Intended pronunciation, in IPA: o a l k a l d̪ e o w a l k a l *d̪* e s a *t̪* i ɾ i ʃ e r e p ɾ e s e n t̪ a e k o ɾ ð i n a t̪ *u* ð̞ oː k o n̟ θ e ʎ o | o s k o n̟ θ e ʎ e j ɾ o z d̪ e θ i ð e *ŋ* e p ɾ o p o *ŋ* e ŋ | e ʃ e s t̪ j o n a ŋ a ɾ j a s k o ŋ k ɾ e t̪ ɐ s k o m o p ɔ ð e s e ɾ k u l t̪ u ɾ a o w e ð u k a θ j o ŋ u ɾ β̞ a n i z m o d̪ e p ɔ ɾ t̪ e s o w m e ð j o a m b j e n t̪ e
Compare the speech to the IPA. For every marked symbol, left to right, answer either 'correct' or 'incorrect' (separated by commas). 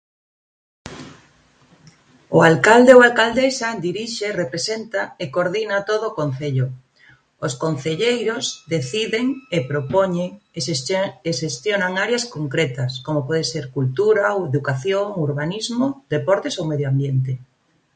correct, incorrect, incorrect, correct, incorrect